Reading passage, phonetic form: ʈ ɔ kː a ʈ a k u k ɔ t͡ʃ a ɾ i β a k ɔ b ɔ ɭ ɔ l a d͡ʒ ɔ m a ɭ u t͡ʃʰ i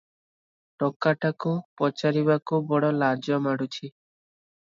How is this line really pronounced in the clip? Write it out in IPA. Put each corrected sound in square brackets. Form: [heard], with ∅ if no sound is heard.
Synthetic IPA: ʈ ɔ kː a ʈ a k u [p] ɔ t͡ʃ a ɾ i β a k [u] b ɔ [ɽ] ɔ l a d͡ʒ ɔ m a [ɽ] u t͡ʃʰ i

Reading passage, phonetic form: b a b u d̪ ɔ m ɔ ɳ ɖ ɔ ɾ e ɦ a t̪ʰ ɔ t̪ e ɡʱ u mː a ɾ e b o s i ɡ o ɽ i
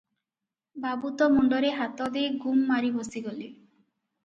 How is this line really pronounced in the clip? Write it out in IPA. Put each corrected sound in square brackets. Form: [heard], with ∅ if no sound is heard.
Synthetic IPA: b a b u [t̪] ɔ m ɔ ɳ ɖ ɔ ɾ e ɦ a [t̪] ɔ [d̪] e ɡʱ u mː a ɾ [i] b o s i ɡ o [l] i

